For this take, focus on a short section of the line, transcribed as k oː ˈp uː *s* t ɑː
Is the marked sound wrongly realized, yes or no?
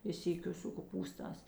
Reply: no